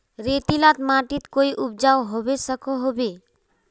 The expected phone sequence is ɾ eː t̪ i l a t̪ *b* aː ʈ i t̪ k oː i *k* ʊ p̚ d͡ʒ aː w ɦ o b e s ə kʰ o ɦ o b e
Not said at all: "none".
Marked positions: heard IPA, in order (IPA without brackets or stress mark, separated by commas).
m, ʔ